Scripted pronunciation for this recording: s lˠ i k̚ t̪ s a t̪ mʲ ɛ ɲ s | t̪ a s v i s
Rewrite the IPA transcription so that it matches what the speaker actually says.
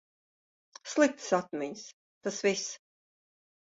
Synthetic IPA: s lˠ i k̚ t̪ s a t̪ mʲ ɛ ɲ s | t̪ a s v i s